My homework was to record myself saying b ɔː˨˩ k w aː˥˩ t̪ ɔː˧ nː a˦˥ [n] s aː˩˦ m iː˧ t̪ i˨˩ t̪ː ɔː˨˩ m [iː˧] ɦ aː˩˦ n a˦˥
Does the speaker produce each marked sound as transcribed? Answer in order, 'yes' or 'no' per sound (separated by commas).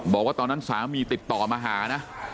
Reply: yes, no